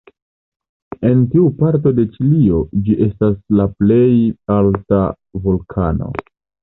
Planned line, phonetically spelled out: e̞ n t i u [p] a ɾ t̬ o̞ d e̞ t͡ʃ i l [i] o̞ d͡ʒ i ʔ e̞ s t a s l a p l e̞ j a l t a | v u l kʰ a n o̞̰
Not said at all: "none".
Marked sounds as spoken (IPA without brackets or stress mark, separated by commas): p, i